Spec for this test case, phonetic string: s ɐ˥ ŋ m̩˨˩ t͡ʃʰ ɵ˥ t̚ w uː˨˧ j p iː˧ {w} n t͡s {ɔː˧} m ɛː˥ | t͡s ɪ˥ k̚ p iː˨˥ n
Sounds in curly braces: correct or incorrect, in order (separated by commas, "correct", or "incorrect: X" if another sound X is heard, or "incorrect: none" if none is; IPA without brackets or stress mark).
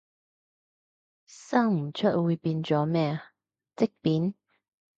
incorrect: none, incorrect: ɔː˨˥